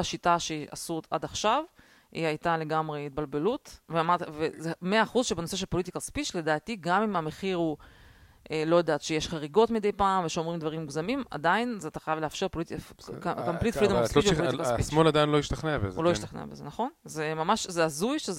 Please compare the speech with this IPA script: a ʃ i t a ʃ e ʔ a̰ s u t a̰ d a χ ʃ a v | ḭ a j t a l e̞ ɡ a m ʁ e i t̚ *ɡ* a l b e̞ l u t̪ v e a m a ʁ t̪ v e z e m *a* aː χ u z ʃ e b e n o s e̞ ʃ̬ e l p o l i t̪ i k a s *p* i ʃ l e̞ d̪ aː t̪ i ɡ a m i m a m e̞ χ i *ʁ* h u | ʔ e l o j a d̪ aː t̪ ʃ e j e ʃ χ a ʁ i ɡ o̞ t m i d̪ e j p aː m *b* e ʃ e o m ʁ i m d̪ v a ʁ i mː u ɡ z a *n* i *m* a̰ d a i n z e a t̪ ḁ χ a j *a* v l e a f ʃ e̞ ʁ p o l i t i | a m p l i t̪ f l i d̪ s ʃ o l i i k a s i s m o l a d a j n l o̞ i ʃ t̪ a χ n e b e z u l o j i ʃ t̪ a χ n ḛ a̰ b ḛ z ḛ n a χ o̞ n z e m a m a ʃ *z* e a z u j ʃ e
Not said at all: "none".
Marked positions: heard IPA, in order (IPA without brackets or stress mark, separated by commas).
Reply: b, e, p, ʁ, v, m, m, a, z